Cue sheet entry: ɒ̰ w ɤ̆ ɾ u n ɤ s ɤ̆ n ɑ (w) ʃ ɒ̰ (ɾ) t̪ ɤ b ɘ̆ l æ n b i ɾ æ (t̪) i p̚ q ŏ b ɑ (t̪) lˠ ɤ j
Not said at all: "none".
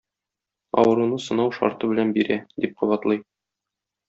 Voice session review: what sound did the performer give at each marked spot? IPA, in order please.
w, ɾ, d̪, t̪

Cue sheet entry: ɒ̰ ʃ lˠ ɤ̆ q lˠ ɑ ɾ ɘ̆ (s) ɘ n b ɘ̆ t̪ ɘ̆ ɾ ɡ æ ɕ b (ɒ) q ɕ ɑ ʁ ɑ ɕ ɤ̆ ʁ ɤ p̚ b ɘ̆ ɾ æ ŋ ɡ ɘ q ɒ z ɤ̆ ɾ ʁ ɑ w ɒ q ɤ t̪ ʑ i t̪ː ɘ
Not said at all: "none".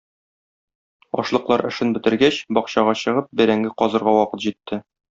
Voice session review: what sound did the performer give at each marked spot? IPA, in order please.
ʃ, ɒ

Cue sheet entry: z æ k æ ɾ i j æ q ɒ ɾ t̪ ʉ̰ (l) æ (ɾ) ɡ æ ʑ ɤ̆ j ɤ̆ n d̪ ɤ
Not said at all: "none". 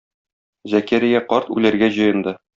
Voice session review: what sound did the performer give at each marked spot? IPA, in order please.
l, ɾ

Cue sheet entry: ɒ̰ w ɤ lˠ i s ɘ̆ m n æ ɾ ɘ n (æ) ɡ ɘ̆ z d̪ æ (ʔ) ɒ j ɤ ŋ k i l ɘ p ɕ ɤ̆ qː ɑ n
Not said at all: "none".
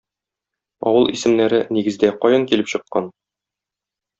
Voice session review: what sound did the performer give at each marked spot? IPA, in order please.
i, q

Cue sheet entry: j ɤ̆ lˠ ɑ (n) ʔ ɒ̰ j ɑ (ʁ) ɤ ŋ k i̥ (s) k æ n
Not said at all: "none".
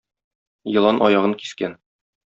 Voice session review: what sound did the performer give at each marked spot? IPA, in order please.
n, ʁ, s

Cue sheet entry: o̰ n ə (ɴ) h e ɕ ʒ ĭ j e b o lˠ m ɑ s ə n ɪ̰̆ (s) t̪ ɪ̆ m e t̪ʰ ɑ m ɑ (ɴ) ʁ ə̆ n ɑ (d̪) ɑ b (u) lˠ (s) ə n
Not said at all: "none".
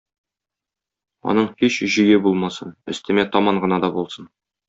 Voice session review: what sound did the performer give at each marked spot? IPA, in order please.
ɴ, s, ɴ, d̪, o, s

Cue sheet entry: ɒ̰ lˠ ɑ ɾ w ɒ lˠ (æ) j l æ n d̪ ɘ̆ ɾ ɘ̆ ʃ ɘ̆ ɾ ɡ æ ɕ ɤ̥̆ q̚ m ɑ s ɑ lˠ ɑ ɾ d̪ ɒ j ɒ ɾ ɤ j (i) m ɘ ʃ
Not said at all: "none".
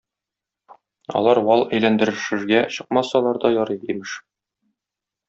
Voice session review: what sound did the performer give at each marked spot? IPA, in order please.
æ, i

